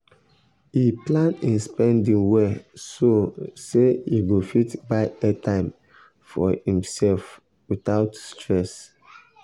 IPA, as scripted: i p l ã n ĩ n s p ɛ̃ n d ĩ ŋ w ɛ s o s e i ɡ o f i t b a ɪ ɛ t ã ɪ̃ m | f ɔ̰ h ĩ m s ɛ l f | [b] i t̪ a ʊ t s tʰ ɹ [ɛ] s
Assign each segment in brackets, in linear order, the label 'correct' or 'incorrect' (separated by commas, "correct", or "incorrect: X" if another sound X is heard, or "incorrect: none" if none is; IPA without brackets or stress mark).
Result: incorrect: w, correct